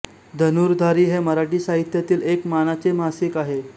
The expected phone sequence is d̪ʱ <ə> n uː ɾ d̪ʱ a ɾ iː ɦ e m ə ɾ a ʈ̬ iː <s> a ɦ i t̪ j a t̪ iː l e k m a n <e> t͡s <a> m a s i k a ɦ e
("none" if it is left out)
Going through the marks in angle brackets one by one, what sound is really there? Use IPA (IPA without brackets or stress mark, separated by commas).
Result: ə, s, a, e